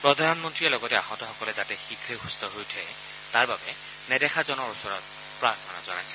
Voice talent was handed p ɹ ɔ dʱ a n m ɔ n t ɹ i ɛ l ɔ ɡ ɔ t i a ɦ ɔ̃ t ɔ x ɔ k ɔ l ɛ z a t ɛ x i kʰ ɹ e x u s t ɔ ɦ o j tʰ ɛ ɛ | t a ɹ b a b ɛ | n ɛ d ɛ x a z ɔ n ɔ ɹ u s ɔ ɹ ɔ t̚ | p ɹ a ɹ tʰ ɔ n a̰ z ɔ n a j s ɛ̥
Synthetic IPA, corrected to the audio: p ɹ ɔ dʱ a n m ɔ n t ɹ i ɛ l ɔ ɡ ɔ t ɛ a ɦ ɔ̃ t ɔ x ɔ k ɔ l ɛ z a t ɛ x i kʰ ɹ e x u s t ɔ ɦ o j tʰ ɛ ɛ | t a ɹ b a b ɛ | n ɛ d ɛ x a z ɔ n ɔ ɹ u s ɔ ɹ ɔ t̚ | p ɹ a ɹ tʰ ɔ n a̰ z ɔ n a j s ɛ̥